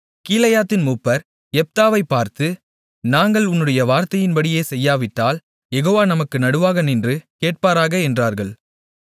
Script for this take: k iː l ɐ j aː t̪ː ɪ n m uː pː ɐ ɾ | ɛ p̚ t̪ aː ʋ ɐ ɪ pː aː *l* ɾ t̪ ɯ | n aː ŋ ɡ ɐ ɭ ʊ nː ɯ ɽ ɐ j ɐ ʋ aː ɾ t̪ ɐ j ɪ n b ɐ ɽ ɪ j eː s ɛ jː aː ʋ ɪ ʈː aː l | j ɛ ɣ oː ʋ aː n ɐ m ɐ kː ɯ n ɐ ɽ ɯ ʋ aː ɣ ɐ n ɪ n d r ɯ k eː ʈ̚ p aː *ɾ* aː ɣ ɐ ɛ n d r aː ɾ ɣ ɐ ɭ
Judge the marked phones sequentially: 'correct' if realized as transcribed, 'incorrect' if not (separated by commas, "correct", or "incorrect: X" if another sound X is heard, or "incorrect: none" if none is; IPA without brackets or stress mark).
incorrect: none, correct